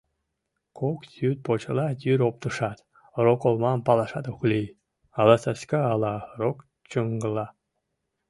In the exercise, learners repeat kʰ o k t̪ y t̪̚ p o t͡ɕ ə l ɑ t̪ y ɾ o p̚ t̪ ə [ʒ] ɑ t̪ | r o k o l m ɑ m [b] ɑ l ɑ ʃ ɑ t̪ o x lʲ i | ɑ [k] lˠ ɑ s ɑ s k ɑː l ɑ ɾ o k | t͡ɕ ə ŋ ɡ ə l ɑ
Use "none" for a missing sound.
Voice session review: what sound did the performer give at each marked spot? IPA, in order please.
ʃ, p, none

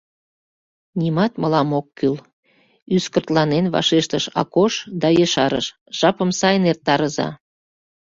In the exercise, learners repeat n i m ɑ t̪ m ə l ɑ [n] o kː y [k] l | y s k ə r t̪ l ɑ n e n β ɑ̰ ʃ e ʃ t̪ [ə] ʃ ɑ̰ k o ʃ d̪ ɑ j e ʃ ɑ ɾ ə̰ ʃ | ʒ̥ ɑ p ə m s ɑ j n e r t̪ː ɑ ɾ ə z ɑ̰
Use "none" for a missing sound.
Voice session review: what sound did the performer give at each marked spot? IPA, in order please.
m, none, ə

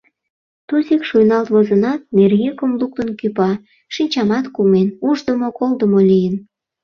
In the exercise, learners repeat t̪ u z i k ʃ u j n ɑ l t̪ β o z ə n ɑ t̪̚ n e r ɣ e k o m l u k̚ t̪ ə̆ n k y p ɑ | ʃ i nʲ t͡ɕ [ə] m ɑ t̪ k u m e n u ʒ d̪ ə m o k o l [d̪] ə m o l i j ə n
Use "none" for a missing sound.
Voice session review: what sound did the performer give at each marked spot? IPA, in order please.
ɑ, d̪

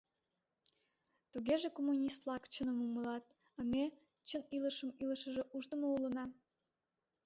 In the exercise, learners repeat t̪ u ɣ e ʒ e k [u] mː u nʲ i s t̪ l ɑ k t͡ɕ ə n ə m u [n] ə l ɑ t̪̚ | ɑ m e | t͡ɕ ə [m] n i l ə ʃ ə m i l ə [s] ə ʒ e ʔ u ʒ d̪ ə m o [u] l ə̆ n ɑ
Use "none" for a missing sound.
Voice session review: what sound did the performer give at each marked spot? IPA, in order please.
o, m, none, ʃ, u

